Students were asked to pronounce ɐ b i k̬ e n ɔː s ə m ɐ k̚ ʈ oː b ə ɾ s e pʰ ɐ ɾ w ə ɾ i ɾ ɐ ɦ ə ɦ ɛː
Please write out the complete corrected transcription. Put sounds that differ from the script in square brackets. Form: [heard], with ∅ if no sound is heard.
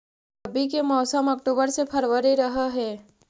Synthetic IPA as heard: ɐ b i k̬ e [m] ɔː s ə m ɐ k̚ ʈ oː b ə ɾ s e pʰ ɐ ɾ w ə ɾ i ɾ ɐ ɦ [a] ɦ ɛː